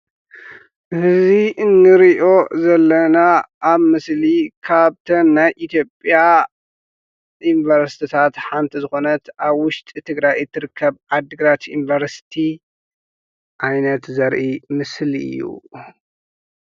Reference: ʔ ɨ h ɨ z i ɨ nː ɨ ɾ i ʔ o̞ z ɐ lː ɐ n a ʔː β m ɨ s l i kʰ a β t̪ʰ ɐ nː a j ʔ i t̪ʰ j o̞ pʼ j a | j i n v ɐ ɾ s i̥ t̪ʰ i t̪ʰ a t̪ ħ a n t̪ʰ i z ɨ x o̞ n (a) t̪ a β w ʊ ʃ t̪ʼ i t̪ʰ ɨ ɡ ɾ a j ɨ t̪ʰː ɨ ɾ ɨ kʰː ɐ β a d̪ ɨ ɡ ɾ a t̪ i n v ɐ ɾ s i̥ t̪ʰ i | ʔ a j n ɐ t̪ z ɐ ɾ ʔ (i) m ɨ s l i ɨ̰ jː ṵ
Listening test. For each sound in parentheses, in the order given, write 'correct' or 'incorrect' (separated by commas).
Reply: incorrect, correct